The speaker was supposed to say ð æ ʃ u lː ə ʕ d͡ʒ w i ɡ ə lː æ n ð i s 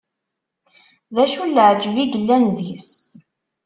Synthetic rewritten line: ð æ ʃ u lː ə ʕ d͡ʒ v i ɡ ə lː æ n ð i s